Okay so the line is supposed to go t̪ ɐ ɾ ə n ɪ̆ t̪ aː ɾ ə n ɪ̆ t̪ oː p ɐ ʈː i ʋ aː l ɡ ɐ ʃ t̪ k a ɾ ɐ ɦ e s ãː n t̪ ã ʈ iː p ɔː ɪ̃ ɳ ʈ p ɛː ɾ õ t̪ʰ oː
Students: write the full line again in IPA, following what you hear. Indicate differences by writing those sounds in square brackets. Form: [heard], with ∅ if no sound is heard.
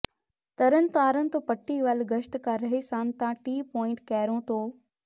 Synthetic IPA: t̪ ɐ ɾ ə n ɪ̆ t̪ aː ɾ ə n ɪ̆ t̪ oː p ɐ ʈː i ʋ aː l ɡ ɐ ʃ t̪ k a ɾ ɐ ɦ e s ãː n t̪ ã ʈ iː p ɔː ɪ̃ ɳ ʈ [k] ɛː ɾ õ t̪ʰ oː